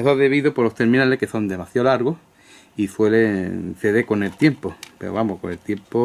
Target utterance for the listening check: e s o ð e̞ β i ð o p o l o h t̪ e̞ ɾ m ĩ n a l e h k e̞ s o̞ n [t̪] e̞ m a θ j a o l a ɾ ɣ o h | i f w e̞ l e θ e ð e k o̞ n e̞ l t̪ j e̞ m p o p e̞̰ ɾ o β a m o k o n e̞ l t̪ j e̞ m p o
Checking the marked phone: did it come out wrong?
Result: yes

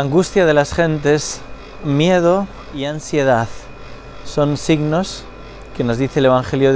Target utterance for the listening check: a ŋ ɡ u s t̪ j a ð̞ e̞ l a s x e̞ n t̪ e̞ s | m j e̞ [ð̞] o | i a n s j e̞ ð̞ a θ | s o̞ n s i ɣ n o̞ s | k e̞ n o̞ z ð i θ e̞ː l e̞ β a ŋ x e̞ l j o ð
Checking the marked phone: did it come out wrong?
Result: no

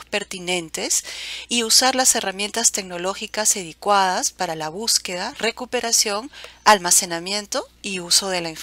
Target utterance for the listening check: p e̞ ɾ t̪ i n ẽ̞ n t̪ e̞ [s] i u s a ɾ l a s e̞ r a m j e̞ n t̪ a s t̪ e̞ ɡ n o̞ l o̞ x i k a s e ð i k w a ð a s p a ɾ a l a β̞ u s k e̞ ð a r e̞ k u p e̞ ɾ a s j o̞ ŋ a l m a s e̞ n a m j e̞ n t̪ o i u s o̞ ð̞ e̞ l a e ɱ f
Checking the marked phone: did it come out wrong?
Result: no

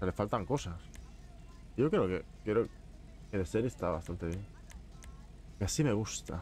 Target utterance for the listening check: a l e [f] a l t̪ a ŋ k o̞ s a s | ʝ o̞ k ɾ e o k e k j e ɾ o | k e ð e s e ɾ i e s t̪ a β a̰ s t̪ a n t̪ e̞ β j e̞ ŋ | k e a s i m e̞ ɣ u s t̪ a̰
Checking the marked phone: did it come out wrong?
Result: no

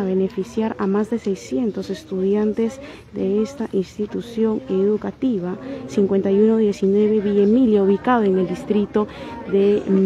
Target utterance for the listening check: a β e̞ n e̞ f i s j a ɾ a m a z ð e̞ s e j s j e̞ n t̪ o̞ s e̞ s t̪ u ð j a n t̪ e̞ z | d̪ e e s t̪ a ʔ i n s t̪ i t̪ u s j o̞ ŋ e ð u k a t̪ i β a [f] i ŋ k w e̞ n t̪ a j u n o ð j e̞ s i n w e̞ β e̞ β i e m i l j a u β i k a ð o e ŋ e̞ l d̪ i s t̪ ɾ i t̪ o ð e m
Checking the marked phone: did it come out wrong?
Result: yes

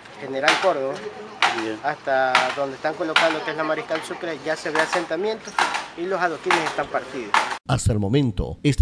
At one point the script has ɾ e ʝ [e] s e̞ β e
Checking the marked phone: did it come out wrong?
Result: yes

